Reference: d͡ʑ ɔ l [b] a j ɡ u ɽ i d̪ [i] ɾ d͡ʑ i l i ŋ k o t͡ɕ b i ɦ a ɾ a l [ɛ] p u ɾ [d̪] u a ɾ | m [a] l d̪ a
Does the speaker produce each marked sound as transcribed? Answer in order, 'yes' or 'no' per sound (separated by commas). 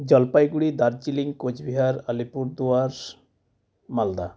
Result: no, no, no, yes, yes